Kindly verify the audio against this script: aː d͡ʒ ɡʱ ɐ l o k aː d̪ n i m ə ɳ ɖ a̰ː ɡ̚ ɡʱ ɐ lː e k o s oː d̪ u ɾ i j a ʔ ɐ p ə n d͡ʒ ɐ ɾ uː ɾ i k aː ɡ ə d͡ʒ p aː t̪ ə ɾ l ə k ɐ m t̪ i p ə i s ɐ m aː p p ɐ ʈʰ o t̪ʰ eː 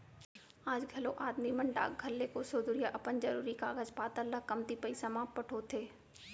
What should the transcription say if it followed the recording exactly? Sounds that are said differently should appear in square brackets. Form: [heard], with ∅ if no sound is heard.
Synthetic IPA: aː d͡ʒ ɡʱ ɐ l o [ʔ] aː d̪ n i m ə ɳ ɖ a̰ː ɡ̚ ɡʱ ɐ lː e k o s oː d̪ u ɾ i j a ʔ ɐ p ə n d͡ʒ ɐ ɾ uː ɾ i k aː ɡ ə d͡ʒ p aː t̪ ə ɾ l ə k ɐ m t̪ i p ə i s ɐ m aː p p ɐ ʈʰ o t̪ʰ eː